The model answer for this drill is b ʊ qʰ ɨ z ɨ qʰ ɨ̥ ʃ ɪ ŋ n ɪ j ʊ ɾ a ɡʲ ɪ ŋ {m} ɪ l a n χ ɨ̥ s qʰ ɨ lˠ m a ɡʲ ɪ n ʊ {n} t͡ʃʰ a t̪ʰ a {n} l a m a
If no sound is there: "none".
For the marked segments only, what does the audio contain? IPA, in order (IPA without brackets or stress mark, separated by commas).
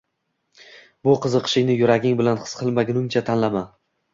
b, ŋ, n